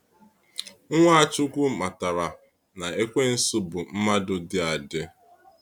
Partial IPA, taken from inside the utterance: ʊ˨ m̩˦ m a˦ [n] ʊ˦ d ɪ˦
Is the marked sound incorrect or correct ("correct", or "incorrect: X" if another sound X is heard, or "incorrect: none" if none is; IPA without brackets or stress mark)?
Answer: incorrect: d